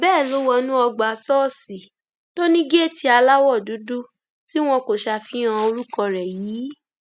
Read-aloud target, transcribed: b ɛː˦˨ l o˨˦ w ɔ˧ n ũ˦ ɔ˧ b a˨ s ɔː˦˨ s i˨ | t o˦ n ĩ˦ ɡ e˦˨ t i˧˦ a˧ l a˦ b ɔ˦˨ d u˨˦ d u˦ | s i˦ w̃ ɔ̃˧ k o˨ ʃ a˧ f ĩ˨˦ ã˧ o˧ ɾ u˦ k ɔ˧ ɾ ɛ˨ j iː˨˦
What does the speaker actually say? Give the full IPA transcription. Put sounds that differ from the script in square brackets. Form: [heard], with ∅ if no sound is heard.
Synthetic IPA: b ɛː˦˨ l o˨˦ w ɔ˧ n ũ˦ ɔ˧ [ɡ͡b] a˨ s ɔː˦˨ s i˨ | t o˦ n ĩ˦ ɡ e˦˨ t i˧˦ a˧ l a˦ [w] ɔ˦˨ d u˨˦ d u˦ | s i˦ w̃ ɔ̃˧ k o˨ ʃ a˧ f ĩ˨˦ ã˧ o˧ ɾ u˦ k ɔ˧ ɾ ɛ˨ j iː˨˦